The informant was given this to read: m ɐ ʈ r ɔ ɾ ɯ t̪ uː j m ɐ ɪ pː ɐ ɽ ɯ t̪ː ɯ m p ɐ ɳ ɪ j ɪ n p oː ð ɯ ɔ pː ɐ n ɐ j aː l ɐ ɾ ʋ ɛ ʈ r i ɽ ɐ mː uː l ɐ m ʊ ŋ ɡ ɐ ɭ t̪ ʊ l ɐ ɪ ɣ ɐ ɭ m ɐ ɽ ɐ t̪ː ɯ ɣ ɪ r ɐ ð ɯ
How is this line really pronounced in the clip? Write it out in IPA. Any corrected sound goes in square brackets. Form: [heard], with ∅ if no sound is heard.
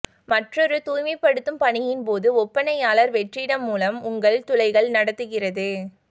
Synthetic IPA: m ɐ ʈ r ɔ ɾ ɯ t̪ uː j m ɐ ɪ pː ɐ ɽ ɯ t̪ː ɯ m p ɐ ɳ ɪ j ɪ n p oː ð ɯ ɔ pː ɐ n ɐ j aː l ɐ ɾ ʋ ɛ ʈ r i ɽ ɐ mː uː l ɐ m ʊ ŋ ɡ ɐ ɭ t̪ ʊ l ɐ ɪ ɣ ɐ ɭ [n] ɐ ɽ ɐ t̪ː ɯ ɣ ɪ r ɐ ð ɯ

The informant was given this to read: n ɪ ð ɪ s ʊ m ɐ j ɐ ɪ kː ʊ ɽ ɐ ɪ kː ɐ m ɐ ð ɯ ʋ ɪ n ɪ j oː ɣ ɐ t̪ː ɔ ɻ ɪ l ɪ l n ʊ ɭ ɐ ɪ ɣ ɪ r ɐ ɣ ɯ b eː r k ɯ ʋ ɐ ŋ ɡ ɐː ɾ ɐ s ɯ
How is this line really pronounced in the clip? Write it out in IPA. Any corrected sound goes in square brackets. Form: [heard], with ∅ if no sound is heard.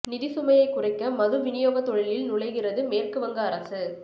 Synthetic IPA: n ɪ ð ɪ s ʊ m ɐ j ɐ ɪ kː ʊ [r] ɐ ɪ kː ɐ m ɐ ð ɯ ʋ ɪ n ɪ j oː ɣ ɐ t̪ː ɔ ɻ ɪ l ɪ l n ʊ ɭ ɐ ɪ ɣ ɪ r ɐ [ð] ɯ [m] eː r k ɯ ʋ ɐ ŋ ɡ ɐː ɾ ɐ s ɯ

